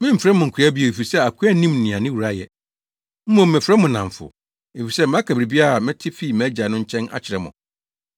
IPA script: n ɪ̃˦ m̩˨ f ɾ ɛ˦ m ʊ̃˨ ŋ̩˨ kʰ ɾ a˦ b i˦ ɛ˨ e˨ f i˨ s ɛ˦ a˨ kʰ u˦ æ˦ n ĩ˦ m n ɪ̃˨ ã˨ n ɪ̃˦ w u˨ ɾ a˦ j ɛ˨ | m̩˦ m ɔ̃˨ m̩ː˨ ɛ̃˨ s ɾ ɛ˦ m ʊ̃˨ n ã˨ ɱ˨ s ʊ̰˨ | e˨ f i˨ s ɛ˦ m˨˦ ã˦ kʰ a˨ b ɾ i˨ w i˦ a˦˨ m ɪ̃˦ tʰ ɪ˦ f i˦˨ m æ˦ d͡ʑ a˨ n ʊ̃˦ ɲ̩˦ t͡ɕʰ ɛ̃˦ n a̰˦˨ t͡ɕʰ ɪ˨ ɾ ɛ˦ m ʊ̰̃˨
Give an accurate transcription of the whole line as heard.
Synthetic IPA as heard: m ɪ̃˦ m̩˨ f ɾ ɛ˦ m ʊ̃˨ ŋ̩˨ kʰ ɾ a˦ b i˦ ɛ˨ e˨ f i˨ s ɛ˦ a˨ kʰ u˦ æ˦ n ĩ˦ m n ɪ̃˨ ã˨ n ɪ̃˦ w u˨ ɾ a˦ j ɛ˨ | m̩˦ m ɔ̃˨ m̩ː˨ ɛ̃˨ f ɾ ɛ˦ m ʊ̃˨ n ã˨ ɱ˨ f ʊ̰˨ | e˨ f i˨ s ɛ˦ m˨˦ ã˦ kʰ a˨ b ɾ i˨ b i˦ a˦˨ m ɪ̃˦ tʰ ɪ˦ f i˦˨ m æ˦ d͡ʑ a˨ n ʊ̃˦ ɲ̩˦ t͡ɕʰ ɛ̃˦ n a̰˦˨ t͡ɕʰ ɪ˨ ɾ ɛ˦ m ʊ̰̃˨